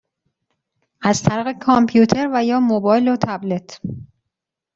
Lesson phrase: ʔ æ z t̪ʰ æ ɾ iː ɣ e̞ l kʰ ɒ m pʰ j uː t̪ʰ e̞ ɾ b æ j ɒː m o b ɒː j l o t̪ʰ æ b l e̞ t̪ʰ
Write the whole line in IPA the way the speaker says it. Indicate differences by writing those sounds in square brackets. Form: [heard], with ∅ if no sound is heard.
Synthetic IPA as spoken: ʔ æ z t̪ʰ æ ɾ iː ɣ e̞ [∅] kʰ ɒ m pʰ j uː t̪ʰ e̞ ɾ [v] æ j ɒː m o b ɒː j l o t̪ʰ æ b l e̞ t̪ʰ